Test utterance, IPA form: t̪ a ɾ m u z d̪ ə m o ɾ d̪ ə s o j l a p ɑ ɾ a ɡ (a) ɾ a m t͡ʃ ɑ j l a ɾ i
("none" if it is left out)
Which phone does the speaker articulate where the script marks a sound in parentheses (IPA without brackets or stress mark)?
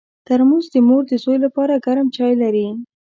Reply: a